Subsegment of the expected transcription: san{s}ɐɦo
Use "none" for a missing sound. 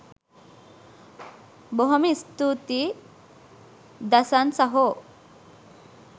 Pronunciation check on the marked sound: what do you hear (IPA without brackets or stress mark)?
s